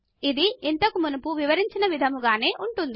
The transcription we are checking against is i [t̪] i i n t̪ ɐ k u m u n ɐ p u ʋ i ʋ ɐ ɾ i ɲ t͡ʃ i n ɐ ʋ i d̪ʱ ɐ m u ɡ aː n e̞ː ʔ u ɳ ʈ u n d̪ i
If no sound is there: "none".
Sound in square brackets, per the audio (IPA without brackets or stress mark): d̪